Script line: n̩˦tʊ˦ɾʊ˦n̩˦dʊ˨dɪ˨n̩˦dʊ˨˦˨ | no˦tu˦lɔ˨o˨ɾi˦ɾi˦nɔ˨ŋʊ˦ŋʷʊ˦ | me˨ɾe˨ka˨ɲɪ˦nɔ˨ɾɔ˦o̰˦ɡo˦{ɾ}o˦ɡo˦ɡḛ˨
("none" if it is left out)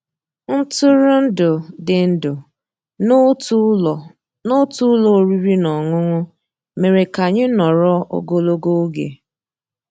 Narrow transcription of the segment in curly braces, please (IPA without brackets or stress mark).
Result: l